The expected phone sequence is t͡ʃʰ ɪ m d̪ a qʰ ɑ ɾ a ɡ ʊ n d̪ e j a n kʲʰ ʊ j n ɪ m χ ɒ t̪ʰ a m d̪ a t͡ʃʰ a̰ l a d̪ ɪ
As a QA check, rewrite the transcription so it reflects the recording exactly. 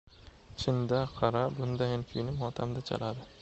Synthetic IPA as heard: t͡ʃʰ ɪ n d̪ a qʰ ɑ ɾ a b ʊ n d̪ a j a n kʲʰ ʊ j n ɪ m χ ɒ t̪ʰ a m d̪ a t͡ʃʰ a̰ l a d̪ ɪ